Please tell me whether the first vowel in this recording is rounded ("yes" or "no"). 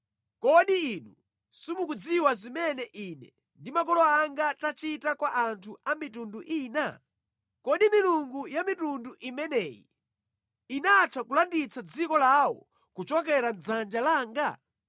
yes